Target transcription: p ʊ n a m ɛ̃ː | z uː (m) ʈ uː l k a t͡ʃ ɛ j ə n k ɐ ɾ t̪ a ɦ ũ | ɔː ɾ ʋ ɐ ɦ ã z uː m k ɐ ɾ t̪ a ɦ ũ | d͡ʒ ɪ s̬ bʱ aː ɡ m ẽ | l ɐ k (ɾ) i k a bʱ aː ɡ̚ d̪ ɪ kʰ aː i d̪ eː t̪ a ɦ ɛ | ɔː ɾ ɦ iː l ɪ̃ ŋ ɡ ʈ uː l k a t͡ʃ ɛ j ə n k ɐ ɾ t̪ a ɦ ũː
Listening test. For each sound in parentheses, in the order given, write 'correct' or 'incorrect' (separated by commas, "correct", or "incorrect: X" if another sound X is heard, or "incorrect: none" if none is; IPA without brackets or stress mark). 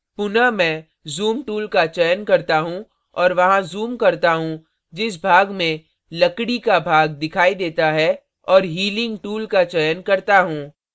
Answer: correct, incorrect: ɽ